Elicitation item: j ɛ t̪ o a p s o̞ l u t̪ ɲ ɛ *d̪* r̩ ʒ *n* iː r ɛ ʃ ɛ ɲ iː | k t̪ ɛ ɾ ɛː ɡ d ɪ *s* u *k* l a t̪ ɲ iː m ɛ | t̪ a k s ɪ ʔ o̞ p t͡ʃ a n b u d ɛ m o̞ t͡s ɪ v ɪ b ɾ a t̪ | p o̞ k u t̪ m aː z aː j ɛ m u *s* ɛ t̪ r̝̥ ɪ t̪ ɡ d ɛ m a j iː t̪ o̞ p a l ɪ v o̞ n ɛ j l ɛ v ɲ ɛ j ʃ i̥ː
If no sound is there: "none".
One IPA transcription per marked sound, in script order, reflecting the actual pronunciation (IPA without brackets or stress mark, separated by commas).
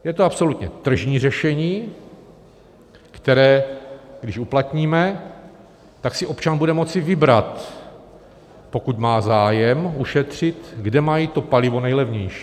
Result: t̪, ɲ, ʃ, p, ʃ